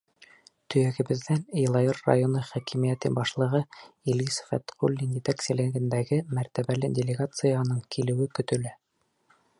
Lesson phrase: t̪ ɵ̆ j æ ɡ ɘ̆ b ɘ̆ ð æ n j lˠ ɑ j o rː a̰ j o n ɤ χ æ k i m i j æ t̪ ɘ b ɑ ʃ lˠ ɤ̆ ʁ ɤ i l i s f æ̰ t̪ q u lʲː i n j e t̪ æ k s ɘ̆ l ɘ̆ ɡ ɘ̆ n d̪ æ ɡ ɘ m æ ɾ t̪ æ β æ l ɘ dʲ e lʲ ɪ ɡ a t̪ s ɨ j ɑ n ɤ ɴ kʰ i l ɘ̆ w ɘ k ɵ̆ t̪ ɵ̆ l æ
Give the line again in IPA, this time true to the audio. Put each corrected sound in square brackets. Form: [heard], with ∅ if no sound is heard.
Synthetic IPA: t̪ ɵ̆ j æ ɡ ɘ̆ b ɘ̆ ð æ n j lˠ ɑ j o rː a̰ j o n ɤ χ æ k i m i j æ t̪ ɘ b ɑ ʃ lˠ ɤ̆ ʁ ɤ i l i s f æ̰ t̪ q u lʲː i n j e t̪ æ k s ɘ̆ l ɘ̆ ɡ ɘ̆ n d̪ æ ɡ ɘ m æ ɾ t̪ æ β æ l ɘ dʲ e lʲ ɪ ɡ a t̪ s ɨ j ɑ n ɤ ɴ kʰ i l ɘ̆ w ɘ k ɵ̆ t̪ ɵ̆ l æ